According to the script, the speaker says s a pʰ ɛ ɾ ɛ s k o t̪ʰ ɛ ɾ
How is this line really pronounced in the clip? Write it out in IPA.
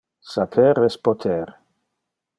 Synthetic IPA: s a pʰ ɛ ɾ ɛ s p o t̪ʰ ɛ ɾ